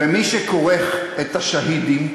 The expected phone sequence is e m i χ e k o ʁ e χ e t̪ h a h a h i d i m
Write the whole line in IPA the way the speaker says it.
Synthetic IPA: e m i ʃ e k o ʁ e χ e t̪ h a ʃ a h i d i m